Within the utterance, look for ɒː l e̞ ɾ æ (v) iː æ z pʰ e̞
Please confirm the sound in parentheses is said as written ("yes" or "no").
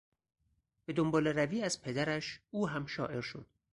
yes